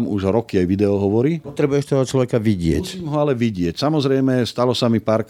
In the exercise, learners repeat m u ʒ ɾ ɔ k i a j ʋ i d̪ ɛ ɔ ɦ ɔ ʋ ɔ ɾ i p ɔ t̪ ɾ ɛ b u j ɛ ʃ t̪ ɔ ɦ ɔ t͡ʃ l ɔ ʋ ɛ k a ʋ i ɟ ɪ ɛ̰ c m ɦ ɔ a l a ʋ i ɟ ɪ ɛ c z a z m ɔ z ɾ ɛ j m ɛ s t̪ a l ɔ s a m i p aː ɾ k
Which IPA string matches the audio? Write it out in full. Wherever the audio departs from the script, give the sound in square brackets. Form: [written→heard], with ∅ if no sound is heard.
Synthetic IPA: m u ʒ ɾ ɔ k i a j ʋ i d̪ ɛ ɔ ɦ ɔ ʋ ɔ ɾ i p ɔ t̪ ɾ ɛ b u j ɛ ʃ t̪ ɔ ɦ ɔ t͡ʃ l ɔ ʋ ɛ k a ʋ i ɟ ɪ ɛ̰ c m ɦ ɔ a l [a→ɛ] ʋ i ɟ ɪ ɛ c [z→s] a [z→∅] m ɔ z ɾ ɛ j m ɛ s t̪ a l ɔ s a m i p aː ɾ k